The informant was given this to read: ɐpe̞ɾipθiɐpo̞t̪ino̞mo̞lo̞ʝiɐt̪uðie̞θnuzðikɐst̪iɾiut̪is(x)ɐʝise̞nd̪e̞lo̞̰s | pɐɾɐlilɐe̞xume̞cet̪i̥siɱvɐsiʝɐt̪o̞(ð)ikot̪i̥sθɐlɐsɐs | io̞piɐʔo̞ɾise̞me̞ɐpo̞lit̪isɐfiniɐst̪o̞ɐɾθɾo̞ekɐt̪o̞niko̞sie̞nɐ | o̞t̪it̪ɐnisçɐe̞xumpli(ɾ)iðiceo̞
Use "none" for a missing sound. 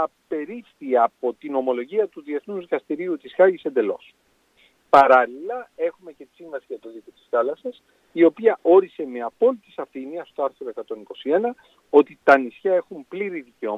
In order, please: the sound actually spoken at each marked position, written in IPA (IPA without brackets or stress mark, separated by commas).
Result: x, ð, ɾ